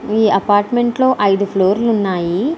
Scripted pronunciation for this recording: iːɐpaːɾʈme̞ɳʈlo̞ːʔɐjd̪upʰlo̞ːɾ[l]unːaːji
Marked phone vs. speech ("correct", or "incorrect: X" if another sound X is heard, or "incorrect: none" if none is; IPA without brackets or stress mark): correct